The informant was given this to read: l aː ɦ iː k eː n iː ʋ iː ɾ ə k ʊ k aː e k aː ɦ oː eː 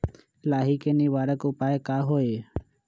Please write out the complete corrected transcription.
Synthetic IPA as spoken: l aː ɦ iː k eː n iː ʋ aː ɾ ə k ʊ p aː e k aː ɦ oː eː